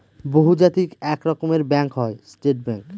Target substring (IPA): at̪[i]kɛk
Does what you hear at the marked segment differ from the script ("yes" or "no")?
no